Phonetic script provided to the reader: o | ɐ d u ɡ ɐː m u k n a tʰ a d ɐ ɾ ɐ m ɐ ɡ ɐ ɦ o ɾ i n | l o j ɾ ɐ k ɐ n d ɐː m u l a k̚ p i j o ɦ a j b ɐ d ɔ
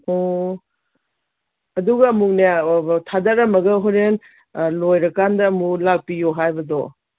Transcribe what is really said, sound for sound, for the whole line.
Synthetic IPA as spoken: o | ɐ d u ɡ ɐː m u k n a tʰ a d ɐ ɾ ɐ m ɐ ɡ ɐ ɦ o ɾ e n | l o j ɾ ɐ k a n d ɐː m u l a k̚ p i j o ɦ a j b ɐ d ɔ